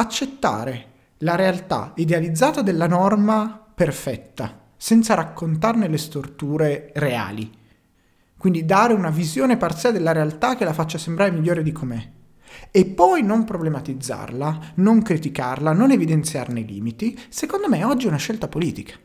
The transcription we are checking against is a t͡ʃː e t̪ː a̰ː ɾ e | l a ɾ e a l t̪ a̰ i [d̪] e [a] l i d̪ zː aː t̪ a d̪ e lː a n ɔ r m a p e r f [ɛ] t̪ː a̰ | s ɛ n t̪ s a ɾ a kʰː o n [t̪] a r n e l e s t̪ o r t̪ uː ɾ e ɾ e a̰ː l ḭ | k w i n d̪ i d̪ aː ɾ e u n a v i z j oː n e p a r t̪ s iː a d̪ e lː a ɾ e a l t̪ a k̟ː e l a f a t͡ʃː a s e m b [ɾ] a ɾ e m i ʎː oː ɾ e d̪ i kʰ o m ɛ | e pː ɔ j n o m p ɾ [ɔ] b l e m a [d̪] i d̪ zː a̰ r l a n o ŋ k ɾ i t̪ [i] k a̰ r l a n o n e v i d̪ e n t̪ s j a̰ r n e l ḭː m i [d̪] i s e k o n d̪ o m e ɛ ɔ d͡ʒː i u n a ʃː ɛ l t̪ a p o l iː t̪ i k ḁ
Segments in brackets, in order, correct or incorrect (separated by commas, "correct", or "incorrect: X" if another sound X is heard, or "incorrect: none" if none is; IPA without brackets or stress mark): correct, correct, correct, correct, correct, incorrect: o, incorrect: t̪, correct, incorrect: t̪